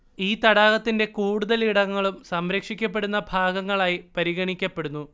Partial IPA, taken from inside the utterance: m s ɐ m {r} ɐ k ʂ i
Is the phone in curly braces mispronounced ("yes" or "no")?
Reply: yes